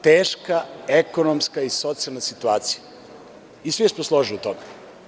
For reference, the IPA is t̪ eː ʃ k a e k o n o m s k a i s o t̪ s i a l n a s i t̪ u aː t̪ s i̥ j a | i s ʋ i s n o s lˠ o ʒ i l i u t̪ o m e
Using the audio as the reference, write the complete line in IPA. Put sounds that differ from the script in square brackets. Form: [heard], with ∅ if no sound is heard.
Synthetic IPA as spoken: t̪ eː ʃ k a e k o n o m s k a i s o t̪ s i a l n a s i t̪ u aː t̪ s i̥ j a | i s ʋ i s [m] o s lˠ o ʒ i l i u t̪ o m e